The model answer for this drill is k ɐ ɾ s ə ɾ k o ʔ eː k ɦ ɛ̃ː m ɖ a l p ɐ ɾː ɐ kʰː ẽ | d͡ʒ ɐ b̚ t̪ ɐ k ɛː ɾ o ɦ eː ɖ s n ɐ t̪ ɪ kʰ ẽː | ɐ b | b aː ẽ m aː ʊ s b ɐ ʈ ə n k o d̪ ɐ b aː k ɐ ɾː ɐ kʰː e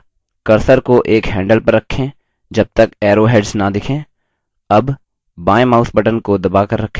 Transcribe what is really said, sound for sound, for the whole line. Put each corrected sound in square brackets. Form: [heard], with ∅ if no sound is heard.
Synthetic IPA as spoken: k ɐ ɾ s ə ɾ k o ʔ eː k ɦ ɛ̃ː [ɳ] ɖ [ə] l p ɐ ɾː ɐ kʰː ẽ | d͡ʒ ɐ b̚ t̪ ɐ k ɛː ɾ o ɦ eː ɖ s n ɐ [d̪] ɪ kʰ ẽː | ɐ b | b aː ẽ m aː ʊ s b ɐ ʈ ə n k o d̪ ɐ b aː k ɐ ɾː ɐ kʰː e